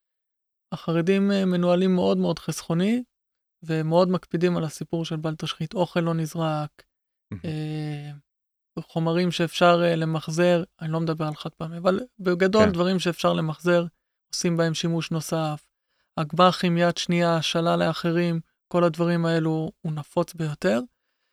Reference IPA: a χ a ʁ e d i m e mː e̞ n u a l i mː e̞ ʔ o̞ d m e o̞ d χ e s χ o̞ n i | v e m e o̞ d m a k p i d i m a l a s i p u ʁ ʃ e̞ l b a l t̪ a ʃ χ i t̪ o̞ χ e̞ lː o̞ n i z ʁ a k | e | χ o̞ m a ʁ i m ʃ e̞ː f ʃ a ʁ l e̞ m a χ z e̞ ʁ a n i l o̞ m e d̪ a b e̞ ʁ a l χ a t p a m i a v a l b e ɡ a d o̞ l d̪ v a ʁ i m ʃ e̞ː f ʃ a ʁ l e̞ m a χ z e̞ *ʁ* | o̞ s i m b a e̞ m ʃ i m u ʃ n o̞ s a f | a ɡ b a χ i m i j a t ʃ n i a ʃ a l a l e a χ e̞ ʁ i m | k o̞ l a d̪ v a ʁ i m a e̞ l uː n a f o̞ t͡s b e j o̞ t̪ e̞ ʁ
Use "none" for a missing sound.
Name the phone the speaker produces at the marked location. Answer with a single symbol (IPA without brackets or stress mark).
ʁ